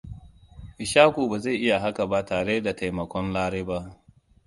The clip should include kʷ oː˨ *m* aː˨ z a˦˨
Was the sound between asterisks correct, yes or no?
no